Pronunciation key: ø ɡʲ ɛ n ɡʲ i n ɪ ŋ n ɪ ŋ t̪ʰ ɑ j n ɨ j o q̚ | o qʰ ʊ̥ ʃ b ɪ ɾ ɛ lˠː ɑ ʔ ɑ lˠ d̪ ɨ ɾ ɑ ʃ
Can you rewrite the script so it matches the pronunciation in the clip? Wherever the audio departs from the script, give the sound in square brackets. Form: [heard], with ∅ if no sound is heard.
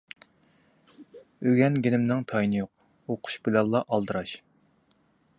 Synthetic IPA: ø ɡʲ ɛ n ɡʲ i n ɪ [m] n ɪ ŋ t̪ʰ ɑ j n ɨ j o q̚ | o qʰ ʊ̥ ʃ b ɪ [l] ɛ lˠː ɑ ʔ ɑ lˠ d̪ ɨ ɾ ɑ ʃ